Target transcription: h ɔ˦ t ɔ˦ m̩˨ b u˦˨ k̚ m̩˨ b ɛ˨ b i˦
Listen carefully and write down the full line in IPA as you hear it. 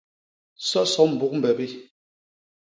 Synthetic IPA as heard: s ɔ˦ s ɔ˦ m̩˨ b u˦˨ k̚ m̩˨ b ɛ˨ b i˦